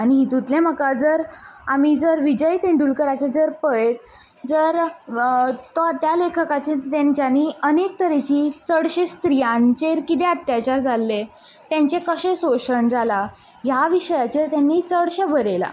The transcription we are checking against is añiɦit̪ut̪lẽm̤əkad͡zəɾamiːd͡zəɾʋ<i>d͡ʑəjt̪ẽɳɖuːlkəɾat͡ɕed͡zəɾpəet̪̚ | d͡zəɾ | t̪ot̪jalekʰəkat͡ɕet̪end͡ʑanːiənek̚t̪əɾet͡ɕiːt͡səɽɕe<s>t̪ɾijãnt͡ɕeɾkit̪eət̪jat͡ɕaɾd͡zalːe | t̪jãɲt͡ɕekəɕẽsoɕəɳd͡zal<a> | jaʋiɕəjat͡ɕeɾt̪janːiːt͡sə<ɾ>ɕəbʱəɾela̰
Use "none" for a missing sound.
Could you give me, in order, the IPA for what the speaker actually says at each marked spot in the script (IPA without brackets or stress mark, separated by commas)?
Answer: i, s, a, ɽ